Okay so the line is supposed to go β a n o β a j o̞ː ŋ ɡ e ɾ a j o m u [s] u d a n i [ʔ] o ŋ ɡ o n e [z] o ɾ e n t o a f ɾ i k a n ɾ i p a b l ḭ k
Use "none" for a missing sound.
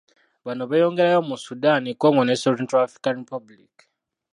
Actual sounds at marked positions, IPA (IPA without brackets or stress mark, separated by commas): s, k, s